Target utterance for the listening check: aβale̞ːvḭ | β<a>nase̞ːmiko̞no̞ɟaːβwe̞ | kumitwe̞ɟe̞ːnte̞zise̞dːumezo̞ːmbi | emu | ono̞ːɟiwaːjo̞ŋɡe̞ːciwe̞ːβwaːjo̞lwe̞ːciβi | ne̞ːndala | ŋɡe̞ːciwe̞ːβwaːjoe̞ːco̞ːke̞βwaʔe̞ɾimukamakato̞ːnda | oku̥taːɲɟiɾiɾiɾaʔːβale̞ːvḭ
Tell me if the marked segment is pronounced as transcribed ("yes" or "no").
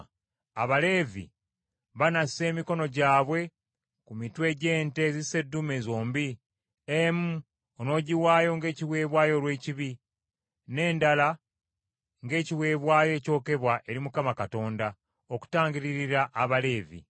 yes